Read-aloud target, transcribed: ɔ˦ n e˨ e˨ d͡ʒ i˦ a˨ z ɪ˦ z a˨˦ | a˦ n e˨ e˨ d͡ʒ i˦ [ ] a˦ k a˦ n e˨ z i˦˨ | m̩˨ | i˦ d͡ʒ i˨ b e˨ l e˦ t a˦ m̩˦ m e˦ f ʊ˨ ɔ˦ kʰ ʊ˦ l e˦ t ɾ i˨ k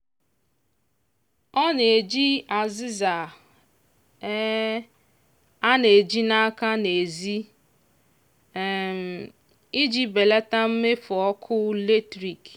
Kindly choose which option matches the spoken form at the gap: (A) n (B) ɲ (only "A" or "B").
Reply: A